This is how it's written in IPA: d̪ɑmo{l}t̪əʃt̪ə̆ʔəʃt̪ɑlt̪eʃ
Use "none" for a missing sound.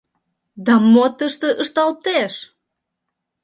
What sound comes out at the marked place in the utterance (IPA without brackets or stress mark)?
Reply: none